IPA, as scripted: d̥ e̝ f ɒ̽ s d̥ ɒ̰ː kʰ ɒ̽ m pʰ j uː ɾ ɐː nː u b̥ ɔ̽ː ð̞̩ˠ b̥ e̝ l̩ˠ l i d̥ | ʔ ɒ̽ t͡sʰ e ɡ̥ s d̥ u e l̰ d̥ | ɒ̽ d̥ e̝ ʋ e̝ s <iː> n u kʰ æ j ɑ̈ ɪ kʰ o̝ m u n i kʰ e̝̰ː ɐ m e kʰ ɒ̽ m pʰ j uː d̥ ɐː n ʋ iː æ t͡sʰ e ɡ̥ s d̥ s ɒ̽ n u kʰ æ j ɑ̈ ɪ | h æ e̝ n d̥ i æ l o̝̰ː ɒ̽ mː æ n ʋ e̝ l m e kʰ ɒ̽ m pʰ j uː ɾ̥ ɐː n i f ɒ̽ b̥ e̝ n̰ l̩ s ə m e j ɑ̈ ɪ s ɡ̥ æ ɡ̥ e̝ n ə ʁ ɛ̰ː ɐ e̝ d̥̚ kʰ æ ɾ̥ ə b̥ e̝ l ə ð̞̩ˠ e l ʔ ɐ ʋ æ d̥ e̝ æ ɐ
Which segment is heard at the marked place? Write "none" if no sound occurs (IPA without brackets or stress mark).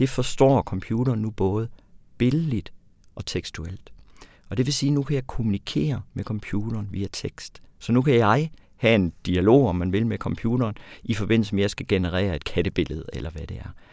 iː